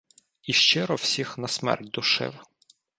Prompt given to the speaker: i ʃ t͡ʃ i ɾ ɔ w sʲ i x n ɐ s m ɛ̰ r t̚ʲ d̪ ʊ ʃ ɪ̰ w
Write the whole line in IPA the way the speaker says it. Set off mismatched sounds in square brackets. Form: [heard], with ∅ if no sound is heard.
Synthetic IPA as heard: i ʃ t͡ʃ [ɪ] ɾ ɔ w sʲ i x n ɐ s m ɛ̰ r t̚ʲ d̪ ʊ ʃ ɪ̰ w